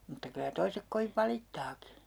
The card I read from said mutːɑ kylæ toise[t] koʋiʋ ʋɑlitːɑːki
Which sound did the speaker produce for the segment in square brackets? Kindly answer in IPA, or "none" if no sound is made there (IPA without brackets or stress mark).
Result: k